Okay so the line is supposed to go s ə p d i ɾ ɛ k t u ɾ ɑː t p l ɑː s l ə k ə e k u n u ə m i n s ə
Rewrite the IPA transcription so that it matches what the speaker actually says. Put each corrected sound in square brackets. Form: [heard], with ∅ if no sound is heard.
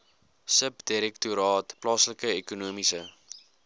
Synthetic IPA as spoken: s ə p d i ɾ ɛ k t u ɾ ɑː t p l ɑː s l ə k ə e k u n u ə m i [∅] s ə